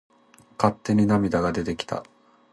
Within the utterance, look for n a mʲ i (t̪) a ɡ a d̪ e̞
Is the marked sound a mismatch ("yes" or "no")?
yes